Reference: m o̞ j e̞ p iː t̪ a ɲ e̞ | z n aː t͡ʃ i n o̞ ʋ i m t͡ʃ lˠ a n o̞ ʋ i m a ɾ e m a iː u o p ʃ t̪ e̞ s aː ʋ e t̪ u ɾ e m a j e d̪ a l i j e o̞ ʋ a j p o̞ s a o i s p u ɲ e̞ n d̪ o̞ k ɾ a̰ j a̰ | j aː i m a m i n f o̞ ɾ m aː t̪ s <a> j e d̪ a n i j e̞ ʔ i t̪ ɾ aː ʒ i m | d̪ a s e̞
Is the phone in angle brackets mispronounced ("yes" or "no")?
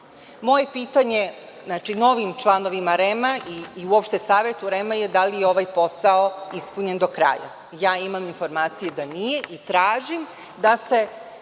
yes